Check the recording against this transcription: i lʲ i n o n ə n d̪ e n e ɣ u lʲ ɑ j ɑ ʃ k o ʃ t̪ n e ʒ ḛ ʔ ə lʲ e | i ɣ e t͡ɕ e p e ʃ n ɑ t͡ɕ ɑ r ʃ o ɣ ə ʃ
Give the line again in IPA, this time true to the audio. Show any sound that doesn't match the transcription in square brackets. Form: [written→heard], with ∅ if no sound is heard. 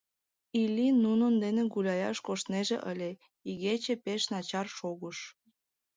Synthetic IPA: i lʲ i n [o→u] n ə n d̪ e n e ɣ u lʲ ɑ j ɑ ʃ k o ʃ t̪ n e ʒ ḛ ʔ ə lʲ e | i ɣ e t͡ɕ e p e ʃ n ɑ t͡ɕ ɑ r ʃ o ɣ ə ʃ